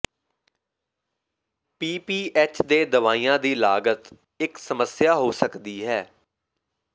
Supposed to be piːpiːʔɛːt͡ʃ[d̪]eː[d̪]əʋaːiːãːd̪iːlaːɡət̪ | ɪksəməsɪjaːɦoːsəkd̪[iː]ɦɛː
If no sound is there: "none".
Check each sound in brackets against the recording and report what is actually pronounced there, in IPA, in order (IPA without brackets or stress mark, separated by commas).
d̪, d̪, iː